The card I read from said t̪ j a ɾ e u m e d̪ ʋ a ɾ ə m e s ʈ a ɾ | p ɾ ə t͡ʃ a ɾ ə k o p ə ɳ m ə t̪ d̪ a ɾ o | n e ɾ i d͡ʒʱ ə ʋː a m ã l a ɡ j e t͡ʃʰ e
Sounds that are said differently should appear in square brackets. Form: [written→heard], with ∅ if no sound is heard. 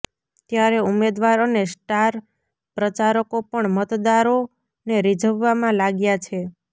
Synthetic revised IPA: t̪ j a ɾ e u m e d̪ ʋ a ɾ ə [m→n] e s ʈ a ɾ | p ɾ ə t͡ʃ a ɾ ə k o p ə ɳ m ə t̪ d̪ a ɾ o | n e ɾ i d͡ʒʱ ə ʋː a m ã l a ɡ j [e→a] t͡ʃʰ e